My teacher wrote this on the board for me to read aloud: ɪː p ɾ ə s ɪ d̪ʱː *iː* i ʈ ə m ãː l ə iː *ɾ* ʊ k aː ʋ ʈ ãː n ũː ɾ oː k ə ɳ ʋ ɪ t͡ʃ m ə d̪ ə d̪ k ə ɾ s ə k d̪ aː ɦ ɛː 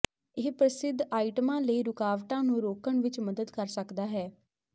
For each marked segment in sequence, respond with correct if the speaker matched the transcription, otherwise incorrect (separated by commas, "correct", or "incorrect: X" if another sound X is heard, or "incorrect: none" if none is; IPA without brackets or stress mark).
incorrect: aː, correct